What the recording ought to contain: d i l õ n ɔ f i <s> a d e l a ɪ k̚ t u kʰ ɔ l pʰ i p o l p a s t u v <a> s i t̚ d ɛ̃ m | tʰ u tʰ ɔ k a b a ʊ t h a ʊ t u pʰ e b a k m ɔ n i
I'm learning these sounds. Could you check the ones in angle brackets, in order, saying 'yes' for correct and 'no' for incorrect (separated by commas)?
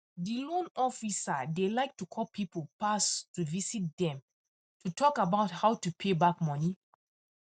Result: yes, no